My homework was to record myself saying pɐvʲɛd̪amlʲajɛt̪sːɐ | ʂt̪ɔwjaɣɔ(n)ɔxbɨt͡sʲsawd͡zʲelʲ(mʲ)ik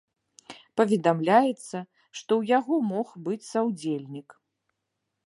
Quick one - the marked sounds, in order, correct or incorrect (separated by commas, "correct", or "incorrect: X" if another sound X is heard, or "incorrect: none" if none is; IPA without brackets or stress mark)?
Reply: incorrect: m, incorrect: nʲ